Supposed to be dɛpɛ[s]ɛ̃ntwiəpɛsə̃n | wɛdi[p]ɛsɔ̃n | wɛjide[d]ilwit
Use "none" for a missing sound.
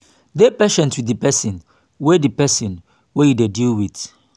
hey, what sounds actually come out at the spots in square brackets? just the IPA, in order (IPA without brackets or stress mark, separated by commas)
ʃ, p, d